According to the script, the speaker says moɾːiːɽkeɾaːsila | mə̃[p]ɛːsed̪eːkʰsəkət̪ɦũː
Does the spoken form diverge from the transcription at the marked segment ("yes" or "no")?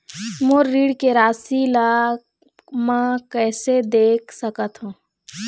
yes